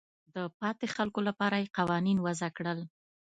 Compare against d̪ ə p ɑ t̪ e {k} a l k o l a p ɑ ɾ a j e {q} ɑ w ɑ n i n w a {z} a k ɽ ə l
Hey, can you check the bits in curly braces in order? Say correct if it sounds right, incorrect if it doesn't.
incorrect, correct, correct

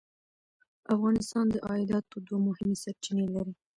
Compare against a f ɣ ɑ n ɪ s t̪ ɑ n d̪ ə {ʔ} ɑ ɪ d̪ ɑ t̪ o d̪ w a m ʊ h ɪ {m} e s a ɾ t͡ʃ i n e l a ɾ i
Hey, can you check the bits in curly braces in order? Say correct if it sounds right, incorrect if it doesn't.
correct, correct

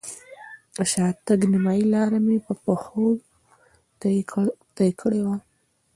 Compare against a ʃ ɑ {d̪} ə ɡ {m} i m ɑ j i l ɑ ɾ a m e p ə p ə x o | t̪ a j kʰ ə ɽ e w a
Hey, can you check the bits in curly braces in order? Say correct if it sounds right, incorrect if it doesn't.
incorrect, incorrect

